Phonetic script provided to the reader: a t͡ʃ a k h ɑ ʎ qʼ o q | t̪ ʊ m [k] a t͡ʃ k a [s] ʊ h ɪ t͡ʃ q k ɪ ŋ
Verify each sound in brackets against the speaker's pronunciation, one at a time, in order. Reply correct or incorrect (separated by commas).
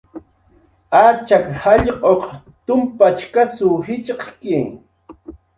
incorrect, correct